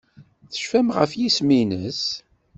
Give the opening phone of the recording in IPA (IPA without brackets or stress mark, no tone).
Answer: θ